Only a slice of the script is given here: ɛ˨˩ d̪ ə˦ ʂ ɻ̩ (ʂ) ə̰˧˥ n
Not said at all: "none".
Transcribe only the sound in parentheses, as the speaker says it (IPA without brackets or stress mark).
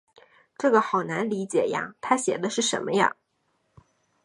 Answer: ʂ